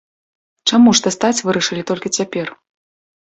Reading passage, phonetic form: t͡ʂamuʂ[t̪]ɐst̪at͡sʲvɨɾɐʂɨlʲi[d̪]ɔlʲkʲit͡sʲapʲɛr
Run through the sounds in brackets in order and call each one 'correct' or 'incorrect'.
correct, incorrect: t̪

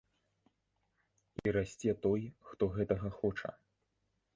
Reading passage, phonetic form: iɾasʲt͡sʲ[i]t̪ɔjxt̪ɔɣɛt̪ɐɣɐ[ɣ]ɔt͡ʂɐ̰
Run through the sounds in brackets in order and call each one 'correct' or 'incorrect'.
incorrect: ɛ, incorrect: x

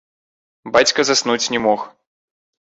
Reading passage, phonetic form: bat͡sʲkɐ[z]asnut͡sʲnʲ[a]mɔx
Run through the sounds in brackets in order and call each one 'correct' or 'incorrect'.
correct, incorrect: ɛ

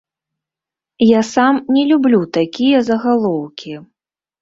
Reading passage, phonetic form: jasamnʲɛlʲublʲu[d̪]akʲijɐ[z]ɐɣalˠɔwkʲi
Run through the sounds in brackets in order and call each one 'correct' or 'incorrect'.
incorrect: t̪, correct

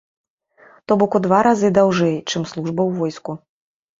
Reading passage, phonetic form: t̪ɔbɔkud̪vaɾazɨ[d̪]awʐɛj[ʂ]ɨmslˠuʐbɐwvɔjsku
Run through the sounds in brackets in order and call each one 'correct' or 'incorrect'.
correct, incorrect: t͡ʂ

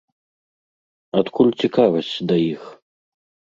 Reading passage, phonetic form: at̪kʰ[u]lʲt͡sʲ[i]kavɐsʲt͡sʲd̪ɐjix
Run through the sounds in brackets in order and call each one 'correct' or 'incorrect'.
correct, correct

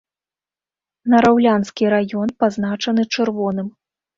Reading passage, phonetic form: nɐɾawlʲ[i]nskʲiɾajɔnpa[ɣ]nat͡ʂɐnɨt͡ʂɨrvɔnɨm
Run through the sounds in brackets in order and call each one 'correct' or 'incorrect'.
incorrect: a, incorrect: z

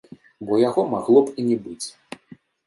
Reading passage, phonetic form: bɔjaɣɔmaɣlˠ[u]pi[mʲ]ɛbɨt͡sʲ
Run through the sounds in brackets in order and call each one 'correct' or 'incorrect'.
incorrect: ɔ, incorrect: nʲ

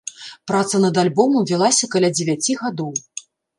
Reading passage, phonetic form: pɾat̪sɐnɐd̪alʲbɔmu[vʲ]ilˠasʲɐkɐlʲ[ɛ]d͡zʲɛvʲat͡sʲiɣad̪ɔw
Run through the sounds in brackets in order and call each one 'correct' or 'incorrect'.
correct, incorrect: a

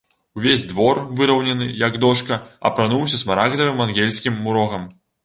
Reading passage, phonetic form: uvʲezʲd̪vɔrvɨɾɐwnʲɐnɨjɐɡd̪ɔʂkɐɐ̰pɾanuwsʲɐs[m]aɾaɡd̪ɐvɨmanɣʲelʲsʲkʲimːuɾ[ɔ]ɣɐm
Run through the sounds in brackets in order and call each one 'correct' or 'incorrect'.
correct, correct

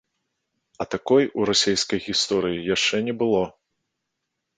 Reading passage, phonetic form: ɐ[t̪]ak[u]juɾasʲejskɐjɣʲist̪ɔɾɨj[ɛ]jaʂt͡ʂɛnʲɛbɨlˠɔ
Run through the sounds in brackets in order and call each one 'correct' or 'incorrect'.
correct, incorrect: ɔ, incorrect: i

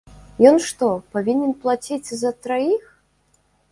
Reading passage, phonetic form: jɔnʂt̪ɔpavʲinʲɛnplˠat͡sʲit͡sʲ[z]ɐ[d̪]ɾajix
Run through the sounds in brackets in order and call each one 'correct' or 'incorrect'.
correct, incorrect: t̪

